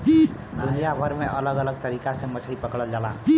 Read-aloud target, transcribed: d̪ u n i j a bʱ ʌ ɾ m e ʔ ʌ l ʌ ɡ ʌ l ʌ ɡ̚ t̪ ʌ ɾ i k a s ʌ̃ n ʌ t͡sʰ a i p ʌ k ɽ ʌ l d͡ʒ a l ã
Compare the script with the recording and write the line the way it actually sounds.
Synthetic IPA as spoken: d̪ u n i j a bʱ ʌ ɾ m e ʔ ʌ l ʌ ɡ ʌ l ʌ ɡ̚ t̪ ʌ ɾ i k a s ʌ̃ m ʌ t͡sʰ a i p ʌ k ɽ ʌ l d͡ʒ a l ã